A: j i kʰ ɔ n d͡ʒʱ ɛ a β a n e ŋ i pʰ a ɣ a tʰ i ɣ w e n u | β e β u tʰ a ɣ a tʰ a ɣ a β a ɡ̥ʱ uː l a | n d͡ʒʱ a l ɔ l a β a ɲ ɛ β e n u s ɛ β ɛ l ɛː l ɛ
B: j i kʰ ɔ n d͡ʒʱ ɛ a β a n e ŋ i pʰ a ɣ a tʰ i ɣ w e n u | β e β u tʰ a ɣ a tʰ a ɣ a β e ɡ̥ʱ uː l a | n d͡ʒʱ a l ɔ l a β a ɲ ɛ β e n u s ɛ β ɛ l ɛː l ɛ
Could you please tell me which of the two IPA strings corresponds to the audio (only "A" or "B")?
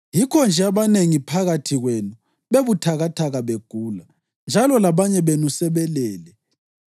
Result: B